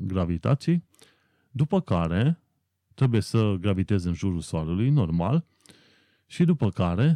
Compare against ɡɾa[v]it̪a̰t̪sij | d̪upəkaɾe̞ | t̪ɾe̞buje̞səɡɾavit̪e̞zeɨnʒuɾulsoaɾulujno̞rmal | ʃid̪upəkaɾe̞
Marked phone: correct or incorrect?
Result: correct